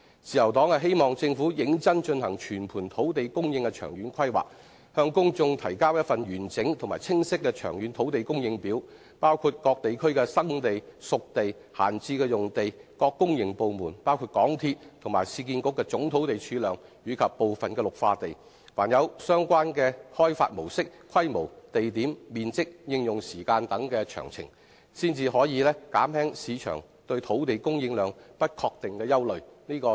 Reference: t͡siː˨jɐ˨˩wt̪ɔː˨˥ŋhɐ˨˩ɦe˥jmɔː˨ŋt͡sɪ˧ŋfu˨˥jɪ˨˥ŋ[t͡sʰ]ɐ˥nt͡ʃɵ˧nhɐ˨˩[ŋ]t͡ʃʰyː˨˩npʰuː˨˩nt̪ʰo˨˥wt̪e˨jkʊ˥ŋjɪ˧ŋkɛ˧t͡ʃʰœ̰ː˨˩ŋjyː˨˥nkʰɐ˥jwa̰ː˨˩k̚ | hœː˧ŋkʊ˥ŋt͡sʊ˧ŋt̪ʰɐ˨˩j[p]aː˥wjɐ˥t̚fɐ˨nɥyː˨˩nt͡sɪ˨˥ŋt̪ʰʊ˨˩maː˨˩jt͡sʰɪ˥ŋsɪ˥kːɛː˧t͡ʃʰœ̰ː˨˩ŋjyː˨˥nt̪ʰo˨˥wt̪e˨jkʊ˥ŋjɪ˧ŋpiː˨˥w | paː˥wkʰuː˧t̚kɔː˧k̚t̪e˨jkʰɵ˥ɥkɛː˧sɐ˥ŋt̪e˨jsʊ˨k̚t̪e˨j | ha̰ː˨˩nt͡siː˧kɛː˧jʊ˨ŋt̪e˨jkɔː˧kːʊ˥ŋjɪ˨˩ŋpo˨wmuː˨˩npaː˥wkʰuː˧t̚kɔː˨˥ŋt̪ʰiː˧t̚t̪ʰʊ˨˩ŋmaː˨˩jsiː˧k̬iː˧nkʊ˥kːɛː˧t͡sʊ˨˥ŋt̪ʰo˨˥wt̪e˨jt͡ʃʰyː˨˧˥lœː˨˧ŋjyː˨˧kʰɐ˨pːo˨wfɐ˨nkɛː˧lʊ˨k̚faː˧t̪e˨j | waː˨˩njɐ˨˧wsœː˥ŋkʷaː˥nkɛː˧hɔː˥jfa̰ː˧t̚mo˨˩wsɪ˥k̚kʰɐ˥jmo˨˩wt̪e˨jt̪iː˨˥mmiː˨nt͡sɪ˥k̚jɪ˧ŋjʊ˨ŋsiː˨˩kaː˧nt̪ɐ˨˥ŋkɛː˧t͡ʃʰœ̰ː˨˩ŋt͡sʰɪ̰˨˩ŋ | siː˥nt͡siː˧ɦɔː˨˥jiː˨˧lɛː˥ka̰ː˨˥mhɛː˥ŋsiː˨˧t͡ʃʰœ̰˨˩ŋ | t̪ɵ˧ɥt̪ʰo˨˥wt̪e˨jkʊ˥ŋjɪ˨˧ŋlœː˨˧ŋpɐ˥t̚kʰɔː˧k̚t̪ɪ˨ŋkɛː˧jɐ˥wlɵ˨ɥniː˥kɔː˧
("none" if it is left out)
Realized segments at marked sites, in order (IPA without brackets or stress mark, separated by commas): t͡s, ŋ, k